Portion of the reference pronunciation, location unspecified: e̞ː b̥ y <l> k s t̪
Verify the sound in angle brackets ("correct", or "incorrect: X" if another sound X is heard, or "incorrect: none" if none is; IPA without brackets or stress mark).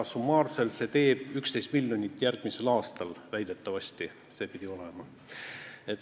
incorrect: none